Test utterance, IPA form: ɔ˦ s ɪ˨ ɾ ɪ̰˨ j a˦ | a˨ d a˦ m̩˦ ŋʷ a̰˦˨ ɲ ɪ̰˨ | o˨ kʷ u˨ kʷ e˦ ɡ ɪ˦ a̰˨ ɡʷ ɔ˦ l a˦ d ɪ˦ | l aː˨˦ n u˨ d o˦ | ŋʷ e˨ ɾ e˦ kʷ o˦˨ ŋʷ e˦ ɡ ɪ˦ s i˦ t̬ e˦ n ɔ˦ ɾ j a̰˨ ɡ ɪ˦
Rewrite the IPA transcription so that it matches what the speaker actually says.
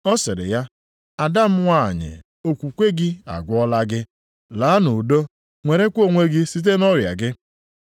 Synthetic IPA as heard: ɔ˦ s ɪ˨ ɾ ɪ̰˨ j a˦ | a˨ d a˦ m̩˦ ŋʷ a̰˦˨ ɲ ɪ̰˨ | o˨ kʷ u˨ kʷ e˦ ɡ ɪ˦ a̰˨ ɡʷ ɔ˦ l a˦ ɡ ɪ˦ | l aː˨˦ n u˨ d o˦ | ŋʷ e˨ ɾ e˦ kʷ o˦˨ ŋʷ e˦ ɡ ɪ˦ s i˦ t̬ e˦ n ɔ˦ ɾ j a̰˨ ɡ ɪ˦